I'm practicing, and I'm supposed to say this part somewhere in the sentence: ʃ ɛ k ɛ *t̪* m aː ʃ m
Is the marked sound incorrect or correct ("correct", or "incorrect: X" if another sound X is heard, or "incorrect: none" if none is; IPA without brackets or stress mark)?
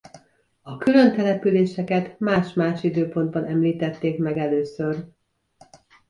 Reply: correct